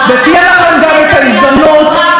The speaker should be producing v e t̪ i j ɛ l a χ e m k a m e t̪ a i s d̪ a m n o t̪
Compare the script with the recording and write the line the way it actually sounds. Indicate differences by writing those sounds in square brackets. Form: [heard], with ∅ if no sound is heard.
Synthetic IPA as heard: v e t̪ i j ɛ l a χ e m [ɡ] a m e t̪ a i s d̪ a m n o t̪